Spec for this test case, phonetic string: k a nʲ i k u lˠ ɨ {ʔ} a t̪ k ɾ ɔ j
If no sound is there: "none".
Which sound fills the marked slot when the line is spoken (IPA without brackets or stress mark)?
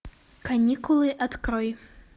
ʔ